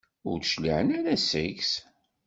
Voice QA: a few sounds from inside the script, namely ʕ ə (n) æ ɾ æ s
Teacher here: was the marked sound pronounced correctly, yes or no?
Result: yes